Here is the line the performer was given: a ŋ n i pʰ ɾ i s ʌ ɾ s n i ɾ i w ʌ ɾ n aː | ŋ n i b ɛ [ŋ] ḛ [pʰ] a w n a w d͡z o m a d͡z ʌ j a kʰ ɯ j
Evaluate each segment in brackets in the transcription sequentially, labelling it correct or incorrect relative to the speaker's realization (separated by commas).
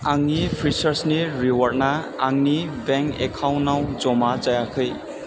correct, incorrect